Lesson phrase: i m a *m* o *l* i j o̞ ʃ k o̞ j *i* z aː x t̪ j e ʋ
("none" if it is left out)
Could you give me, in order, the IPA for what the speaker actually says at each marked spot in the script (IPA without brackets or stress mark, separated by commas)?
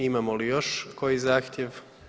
m, l, i